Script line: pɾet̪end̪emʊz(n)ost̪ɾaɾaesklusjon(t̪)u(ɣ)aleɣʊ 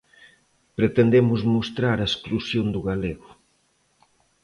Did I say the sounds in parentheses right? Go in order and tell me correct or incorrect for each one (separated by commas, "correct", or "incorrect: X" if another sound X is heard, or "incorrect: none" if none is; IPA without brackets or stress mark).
incorrect: m, incorrect: d̪, correct